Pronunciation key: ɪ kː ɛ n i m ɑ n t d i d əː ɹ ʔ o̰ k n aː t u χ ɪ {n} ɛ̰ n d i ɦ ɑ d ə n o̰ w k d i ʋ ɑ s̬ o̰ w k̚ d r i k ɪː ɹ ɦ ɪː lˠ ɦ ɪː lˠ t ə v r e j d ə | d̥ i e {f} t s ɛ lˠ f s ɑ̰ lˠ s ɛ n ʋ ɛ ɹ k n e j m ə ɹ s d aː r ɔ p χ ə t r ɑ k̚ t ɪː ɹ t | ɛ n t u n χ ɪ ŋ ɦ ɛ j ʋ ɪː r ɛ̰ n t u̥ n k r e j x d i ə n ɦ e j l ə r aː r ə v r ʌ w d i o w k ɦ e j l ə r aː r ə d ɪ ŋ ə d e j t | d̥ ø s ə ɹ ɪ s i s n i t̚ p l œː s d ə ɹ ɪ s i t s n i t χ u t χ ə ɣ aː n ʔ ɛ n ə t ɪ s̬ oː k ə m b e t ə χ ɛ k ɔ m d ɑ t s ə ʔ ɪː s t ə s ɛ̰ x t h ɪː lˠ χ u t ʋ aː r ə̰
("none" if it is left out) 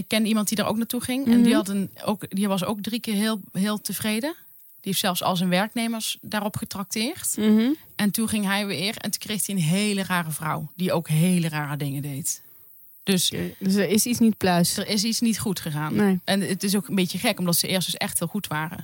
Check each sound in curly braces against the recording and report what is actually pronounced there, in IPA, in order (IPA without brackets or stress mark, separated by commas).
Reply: ŋ, f